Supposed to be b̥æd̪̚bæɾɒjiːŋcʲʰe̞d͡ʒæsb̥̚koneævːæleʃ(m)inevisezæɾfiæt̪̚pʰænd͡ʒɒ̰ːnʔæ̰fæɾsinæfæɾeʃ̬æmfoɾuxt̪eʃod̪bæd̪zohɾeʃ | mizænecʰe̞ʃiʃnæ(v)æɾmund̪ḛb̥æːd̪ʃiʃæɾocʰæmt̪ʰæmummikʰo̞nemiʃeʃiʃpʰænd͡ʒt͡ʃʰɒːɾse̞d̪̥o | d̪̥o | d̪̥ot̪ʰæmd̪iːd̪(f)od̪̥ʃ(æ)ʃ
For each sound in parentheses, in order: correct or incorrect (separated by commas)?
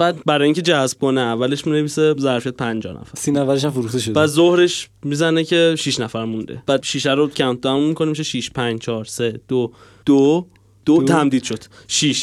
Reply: correct, incorrect, incorrect, incorrect